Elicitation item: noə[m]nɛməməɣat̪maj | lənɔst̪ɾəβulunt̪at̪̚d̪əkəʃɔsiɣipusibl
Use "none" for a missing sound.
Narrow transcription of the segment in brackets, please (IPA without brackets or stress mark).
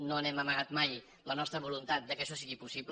none